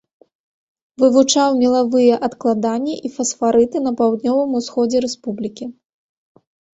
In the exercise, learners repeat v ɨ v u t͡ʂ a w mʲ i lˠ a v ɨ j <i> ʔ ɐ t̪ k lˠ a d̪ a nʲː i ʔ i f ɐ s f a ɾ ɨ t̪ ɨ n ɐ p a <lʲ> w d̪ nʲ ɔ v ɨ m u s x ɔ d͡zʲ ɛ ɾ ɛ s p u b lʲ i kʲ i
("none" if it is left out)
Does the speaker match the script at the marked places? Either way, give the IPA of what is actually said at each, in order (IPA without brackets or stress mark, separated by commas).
ɛ, none